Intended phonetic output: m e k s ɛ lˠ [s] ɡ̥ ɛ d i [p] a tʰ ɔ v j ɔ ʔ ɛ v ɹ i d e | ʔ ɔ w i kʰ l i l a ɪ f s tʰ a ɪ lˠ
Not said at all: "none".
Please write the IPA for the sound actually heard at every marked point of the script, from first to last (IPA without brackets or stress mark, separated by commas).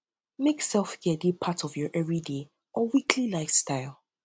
f, pʰ